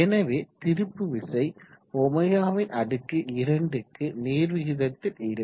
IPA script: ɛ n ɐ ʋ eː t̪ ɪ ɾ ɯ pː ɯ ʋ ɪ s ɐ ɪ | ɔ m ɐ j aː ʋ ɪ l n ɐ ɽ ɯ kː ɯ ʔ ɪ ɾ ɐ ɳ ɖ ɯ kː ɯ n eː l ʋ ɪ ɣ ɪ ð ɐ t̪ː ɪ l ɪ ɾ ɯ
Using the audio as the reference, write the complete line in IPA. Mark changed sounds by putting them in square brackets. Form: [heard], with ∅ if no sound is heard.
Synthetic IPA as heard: ɛ n ɐ ʋ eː t̪ ɪ ɾ ɯ pː ɯ ʋ ɪ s ɐ ɪ | ɔ m ɐ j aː ʋ ɪ [∅] n ɐ ɽ ɯ kː ɯ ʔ ɪ ɾ ɐ ɳ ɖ ɯ kː ɯ n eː [ɾ] ʋ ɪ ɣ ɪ ð ɐ t̪ː ɪ l ɪ ɾ ɯ